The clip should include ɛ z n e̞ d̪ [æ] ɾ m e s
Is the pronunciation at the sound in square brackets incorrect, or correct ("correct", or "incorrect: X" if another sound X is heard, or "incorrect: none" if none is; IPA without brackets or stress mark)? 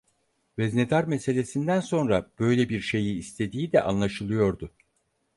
incorrect: a